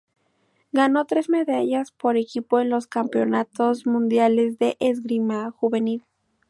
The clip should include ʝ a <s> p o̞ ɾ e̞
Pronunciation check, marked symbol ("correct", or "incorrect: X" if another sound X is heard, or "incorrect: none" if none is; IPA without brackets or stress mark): correct